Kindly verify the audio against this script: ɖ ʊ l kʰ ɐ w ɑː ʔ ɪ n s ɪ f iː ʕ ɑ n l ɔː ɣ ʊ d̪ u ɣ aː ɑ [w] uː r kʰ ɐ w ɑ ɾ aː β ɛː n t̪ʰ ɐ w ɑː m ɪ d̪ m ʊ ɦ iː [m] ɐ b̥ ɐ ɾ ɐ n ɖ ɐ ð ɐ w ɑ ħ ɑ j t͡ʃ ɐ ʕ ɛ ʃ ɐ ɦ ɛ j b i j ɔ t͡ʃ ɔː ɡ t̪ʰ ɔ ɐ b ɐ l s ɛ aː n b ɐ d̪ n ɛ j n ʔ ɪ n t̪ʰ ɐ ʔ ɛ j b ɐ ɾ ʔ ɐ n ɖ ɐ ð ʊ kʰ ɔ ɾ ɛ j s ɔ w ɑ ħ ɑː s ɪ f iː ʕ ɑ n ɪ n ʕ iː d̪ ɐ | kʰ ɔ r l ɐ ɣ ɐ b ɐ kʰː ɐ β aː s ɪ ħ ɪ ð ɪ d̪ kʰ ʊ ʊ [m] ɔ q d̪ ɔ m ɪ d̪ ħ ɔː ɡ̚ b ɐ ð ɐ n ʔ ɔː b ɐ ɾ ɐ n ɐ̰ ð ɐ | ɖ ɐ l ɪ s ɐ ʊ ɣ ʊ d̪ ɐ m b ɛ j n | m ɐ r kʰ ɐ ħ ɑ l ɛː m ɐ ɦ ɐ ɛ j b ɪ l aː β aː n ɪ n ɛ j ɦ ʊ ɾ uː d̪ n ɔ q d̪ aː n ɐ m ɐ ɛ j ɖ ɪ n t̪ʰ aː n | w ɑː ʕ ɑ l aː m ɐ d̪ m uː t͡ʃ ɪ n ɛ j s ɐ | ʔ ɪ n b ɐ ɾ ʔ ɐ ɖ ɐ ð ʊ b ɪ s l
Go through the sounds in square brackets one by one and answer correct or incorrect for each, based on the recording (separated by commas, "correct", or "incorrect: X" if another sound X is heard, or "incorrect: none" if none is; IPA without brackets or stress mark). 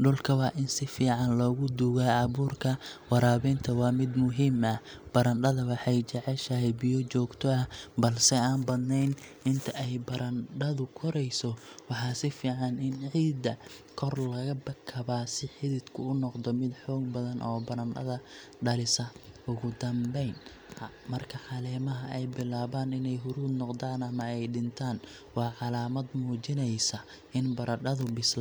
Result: incorrect: β, correct, incorrect: n